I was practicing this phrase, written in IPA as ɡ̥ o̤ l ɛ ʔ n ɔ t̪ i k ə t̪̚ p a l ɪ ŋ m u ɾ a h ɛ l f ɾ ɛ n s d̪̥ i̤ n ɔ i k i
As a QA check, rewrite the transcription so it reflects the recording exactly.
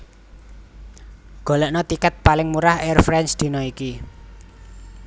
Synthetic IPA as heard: ɡ̥ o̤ l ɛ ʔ n ɔ t̪ i k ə t̪̚ p a l ɪ ŋ m u ɾ a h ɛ r f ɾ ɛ n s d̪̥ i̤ n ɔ i k i